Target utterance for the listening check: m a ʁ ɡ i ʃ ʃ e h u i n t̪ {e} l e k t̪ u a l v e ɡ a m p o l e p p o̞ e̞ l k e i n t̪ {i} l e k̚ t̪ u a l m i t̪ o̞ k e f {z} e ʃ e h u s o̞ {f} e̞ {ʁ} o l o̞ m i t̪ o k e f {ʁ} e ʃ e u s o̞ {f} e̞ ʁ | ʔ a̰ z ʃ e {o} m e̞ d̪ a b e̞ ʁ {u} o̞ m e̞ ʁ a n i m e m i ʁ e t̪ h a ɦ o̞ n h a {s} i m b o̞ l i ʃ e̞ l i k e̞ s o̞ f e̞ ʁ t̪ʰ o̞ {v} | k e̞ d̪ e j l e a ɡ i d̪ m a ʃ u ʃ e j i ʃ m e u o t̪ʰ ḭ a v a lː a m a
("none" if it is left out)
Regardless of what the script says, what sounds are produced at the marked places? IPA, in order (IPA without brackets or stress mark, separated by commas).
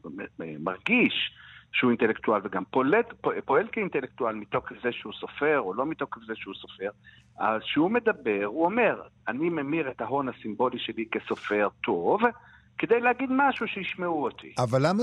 e, e, z, f, ʁ, z, f, u, u, s, v